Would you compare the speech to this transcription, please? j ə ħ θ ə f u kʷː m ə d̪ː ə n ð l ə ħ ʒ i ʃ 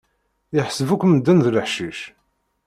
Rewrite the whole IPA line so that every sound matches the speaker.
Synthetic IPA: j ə ħ s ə v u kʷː m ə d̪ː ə n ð l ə ħ ʃ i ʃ

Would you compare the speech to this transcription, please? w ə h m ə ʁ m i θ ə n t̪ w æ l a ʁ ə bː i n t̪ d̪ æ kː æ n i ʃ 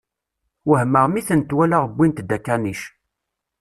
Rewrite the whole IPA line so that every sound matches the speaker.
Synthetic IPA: w ə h m ə ʁ m i θ ə n t̪ w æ l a ʁ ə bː i n t̪ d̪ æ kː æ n i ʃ

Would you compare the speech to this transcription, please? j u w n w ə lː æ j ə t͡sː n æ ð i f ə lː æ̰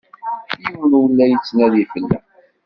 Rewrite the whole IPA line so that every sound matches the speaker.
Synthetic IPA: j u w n w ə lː æ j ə t͡sː n æ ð i f ə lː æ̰

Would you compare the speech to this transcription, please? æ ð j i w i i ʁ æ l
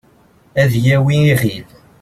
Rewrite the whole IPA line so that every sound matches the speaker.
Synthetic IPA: æ ð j æ w i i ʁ i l

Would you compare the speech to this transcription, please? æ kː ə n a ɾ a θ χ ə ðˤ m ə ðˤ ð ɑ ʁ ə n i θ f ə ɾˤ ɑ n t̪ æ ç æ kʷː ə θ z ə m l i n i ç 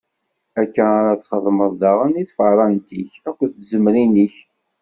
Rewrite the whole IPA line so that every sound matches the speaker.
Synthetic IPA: æ kː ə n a ɾ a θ χ ə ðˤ m ə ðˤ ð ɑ ʁ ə n i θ f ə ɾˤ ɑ n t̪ i ç æ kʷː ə θ z ə m ɾ i n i ç

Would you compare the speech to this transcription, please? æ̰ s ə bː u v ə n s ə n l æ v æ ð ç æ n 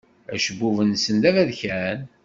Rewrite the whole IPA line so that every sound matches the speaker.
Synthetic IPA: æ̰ ʃ ə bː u v ə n s ə n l æ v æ ð ç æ n

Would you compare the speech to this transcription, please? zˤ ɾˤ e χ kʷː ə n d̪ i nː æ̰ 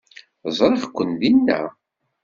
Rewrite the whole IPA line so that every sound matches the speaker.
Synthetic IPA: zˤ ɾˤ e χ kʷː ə n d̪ i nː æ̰

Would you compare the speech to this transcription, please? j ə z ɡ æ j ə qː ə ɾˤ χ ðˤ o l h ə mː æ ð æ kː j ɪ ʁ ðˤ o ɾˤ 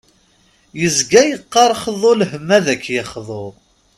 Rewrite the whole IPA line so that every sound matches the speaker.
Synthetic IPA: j ə z ɡ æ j ə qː ɑ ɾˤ χ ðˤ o l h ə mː æ ð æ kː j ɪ χ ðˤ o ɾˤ

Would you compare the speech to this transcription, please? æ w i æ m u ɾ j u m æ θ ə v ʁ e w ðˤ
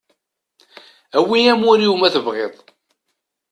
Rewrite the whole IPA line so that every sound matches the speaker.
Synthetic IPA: æ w i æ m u ɾ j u m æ θ ə v ʁ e ðˤ

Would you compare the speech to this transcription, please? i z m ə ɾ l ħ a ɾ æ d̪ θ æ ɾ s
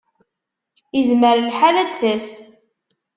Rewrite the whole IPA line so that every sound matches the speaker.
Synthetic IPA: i z m ə ɾ l ħ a l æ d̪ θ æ s

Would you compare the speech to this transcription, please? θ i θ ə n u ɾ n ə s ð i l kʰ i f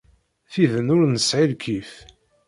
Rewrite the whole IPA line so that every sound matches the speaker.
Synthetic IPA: θ i ð ə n ʊ ɾ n ə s ʕ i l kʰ i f

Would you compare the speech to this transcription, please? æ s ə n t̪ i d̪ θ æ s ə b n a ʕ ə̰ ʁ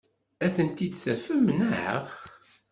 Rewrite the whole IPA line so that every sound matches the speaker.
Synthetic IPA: æ θ ə n t̪ i d̪ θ æ f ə m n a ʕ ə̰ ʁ

